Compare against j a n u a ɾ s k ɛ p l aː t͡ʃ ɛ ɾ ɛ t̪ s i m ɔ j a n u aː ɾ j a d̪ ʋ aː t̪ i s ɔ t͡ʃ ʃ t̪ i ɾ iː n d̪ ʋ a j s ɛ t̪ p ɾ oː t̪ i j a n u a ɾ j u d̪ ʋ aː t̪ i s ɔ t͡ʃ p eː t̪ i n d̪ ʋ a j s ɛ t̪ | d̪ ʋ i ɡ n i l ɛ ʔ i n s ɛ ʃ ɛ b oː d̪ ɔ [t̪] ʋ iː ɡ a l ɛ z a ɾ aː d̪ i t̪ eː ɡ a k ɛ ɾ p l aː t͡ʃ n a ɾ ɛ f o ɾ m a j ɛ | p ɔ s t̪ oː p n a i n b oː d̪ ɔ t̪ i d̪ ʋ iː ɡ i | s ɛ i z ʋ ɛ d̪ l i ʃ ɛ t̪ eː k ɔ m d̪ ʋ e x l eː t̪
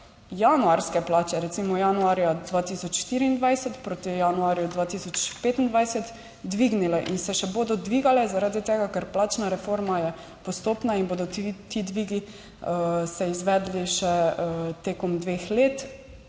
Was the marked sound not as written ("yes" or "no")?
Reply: yes